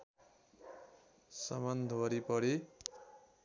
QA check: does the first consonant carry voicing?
no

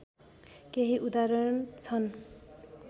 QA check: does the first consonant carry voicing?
no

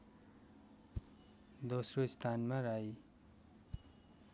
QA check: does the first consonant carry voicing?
yes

